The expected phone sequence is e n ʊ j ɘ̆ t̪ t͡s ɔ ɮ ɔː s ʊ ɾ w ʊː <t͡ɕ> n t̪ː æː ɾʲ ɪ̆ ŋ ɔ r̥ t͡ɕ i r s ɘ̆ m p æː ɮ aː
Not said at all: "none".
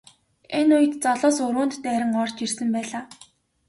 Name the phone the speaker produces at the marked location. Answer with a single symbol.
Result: none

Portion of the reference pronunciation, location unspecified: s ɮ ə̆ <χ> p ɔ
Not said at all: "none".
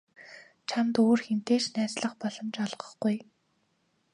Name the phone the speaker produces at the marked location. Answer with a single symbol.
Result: χ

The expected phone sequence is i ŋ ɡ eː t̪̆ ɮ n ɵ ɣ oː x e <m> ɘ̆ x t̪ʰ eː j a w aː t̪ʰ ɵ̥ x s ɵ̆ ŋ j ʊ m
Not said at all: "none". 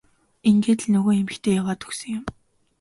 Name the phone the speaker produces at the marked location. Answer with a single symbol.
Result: m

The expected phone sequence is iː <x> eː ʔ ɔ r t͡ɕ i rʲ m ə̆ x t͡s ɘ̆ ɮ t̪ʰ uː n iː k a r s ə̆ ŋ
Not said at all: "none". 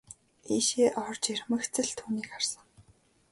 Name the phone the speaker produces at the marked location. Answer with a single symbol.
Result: ʃ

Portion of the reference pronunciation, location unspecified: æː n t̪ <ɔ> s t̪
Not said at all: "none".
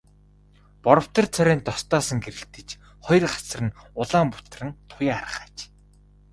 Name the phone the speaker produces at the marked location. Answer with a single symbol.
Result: ɔ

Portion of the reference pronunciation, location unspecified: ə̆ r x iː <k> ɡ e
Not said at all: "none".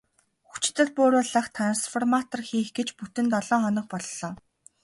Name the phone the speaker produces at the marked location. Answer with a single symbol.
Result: x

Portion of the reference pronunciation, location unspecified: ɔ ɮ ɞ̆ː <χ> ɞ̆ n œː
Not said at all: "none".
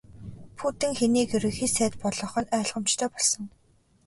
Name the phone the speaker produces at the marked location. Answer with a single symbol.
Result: χ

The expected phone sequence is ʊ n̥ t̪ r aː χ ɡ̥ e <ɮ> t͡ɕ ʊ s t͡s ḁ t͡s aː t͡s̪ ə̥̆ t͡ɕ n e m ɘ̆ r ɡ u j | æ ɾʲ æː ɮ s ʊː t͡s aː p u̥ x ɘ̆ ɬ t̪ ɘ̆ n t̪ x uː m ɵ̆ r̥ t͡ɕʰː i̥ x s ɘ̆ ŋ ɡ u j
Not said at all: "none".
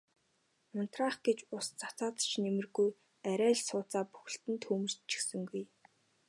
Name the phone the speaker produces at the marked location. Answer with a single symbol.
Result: none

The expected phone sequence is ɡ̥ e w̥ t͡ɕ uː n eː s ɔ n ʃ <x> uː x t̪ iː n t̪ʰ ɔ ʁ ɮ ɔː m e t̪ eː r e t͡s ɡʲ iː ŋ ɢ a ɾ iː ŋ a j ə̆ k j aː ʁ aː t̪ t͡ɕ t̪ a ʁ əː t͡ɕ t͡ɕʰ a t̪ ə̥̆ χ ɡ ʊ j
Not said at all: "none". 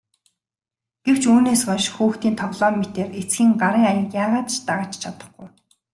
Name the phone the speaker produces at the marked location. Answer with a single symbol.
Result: x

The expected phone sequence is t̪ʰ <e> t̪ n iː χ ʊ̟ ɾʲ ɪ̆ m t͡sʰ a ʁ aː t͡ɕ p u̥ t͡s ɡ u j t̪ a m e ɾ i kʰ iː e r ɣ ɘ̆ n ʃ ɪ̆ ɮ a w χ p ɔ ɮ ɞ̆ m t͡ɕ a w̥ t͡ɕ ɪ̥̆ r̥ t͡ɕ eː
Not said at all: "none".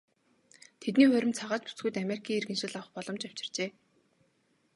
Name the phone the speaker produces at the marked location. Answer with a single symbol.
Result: e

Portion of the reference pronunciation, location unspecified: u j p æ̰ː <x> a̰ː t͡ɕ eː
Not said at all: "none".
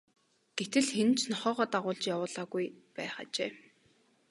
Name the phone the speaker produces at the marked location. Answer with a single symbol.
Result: χ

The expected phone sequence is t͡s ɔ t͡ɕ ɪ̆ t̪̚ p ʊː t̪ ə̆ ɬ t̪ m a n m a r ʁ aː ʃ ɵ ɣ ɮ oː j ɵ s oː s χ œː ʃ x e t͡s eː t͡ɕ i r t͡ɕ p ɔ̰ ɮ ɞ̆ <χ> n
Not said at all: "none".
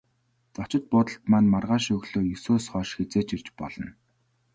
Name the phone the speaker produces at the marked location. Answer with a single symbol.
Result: none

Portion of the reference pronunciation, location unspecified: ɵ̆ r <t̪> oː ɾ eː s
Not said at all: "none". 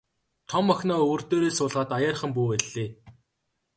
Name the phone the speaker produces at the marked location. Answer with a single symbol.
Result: t̪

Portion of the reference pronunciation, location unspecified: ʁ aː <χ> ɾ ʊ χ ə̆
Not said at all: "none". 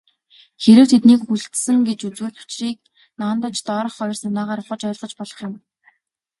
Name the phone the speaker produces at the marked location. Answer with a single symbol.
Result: none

